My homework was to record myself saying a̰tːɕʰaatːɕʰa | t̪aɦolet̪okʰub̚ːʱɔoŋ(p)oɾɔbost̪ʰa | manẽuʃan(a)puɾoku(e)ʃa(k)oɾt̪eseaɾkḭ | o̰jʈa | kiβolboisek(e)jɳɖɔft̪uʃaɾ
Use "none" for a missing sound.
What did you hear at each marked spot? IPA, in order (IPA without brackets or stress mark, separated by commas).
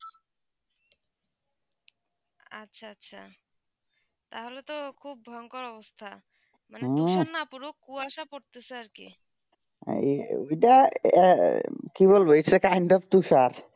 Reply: k, a, a, p, a